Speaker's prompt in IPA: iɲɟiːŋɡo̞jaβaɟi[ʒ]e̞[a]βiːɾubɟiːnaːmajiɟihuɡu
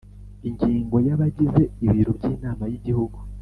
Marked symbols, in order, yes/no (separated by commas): no, no